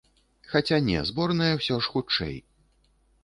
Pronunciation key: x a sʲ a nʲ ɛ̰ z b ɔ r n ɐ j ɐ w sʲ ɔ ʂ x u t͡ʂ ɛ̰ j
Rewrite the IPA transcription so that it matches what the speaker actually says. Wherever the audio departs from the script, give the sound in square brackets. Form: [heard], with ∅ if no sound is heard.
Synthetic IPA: x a [t͡sʲ] a nʲ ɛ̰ z b ɔ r n ɐ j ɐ w sʲ ɔ ʂ x u t͡ʂ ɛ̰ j